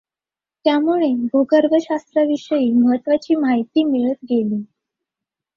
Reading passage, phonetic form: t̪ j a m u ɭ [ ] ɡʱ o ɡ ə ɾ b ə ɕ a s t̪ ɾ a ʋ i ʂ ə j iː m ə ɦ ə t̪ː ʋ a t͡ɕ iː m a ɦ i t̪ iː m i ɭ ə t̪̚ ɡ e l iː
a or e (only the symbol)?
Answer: e